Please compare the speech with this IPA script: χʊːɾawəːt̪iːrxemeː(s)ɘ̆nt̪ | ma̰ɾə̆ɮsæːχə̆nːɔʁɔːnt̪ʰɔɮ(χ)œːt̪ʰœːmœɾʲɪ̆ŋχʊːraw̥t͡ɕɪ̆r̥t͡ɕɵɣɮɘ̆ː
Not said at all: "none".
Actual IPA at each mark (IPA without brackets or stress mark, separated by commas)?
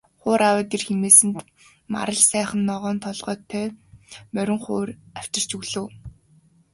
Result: s, ʁ